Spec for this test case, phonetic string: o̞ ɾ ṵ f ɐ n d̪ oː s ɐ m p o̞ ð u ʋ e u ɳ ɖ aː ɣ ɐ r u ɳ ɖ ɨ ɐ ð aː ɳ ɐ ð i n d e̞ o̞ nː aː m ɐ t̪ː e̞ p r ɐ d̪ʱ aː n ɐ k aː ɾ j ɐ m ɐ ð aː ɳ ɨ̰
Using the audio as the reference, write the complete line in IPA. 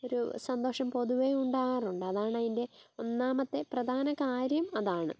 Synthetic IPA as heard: o̞ ɾ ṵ s ɐ n d̪ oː ʂ ɐ m p o̞ ð u ʋ e u ɳ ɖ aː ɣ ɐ r u ɳ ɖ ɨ ɐ ð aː ɳ ɐ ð i n d e̞ o̞ nː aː m ɐ t̪ː e̞ p r ɐ d̪ʱ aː n ɐ k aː ɾ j ɐ m ɐ ð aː ɳ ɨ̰

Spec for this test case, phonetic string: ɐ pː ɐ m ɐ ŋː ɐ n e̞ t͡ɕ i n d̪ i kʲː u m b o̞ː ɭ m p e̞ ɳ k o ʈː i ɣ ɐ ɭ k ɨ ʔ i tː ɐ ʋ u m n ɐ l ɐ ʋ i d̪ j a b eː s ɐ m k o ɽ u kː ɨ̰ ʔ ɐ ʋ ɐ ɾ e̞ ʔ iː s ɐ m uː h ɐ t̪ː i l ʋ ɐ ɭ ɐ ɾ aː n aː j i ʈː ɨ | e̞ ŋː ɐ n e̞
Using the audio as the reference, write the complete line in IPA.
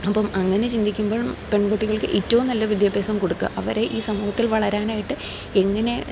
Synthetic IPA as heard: ɐ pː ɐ m ɐ ŋː ɐ n e̞ t͡ɕ i n d̪ i kʲː u m b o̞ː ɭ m p e̞ ɳ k o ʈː i ɣ ɐ ɭ k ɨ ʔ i tː ɐ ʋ u m n ɐ lː ɐ ʋ i d̪ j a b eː s ɐ m k o ɽ u kː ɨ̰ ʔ ɐ ʋ ɐ ɾ e̞ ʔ iː s ɐ m uː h ɐ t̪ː i l ʋ ɐ ɭ ɐ ɾ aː n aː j i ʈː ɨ | e̞ ŋː ɐ n e̞

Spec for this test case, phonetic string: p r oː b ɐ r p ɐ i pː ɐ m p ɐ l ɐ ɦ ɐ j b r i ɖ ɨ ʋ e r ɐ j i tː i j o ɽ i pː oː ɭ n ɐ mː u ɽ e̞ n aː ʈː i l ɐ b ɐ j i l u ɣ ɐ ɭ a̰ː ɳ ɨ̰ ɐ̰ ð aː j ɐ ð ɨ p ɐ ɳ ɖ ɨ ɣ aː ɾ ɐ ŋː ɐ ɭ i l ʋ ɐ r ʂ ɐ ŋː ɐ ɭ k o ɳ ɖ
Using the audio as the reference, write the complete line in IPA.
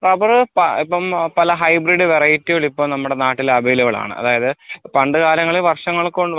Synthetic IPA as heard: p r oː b ɐ r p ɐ i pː ɐ m p ɐ l ɐ ɦ ɐ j b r i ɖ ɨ ʋ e r ɐ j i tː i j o ɭ i pː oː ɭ n ɐ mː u ɽ e̞ n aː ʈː i l ɐ b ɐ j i l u ɣ ɐ ɭ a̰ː ɳ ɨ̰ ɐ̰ ð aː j ɐ ð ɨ p ɐ ɳ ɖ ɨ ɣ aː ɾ ɐ ŋː ɐ ɭ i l ʋ ɐ r ʂ ɐ ŋː ɐ ɭ k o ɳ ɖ

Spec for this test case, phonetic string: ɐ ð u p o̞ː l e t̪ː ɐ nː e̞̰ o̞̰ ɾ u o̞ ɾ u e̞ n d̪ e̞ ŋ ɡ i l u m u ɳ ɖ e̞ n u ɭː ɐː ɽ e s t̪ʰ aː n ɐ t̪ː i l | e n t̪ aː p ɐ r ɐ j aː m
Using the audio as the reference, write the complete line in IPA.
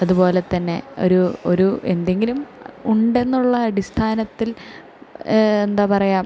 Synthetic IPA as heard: ɐ ð u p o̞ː l e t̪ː ɐ nː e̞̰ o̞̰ ɾ u o̞ ɾ u e̞ n d̪ e̞ ŋ ɡ i l u m u ɳ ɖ e̞ nː u ɭː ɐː ɽ i s t̪ʰ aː n ɐ t̪ː i l | e n d̪ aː p ɐ r ɐ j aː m

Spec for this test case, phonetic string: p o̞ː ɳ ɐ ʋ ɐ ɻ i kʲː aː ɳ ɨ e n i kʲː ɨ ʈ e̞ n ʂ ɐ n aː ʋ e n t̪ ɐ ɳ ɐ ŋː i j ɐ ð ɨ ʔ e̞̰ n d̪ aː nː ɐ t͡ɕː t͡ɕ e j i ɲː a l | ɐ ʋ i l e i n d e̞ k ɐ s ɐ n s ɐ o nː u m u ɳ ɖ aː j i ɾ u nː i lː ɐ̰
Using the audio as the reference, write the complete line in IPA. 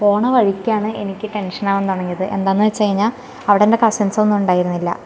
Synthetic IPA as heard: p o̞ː ɳ ɐ ʋ ɐ ɻ i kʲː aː ɳ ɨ e n i kʲː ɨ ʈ e̞ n ʂ ɐ n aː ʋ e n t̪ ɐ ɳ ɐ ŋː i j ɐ ð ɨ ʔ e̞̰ n d̪ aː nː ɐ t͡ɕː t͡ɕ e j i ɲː a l | ɐ ʋ i ɽ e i n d e̞ k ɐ s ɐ n s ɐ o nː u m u ɳ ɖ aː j i ɾ u nː i lː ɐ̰

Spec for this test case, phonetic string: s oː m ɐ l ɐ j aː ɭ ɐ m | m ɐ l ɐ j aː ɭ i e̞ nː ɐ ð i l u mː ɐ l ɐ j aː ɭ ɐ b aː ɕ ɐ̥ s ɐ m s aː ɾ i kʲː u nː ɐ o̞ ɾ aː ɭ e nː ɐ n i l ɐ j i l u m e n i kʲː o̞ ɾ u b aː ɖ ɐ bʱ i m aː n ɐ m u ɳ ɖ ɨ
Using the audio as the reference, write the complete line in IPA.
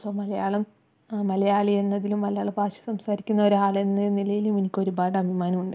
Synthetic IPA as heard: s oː m ɐ l ɐ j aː ɭ ɐ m | m ɐ l ɐ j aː ɭ i e̞ nː ɐ ð i l u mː ɐ l ɐ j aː ɭ ɐ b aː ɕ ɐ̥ s ɐ m s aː ɾ i kʲː u nː ɐ o̞ ɾ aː ɭ e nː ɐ n i l ɐ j i l u m e n i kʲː o̞ ɾ u b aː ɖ ɐ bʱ i m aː n ɐ m u ɳ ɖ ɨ

